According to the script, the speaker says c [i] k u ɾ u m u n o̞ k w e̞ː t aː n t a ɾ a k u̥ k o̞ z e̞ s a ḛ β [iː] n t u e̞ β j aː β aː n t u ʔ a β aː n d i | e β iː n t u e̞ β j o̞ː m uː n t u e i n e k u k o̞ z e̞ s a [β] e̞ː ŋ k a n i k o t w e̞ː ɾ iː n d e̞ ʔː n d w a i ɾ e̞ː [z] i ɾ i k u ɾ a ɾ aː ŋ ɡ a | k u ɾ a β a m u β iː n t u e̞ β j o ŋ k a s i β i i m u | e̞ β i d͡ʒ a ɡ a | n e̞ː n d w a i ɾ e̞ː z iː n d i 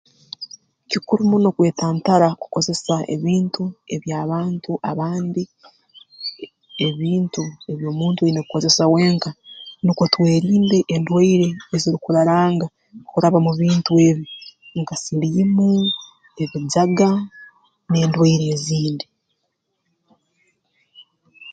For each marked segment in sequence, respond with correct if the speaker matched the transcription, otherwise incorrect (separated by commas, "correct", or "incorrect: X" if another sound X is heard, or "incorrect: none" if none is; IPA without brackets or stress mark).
correct, correct, incorrect: w, correct